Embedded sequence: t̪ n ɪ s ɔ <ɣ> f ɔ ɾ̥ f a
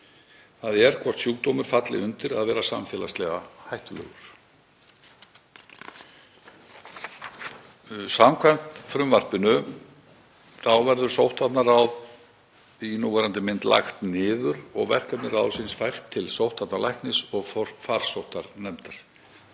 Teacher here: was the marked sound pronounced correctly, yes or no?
yes